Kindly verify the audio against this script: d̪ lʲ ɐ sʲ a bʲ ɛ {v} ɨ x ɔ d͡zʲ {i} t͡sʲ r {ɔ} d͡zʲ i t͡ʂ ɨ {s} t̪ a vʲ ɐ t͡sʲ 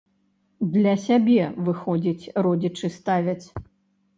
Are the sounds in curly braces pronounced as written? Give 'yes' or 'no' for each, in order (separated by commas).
yes, yes, yes, yes